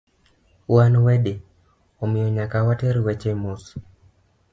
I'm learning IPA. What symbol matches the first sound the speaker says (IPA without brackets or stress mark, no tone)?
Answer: w